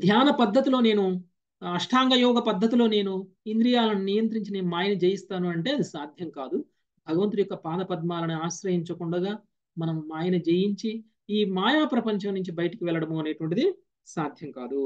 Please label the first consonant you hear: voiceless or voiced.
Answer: voiced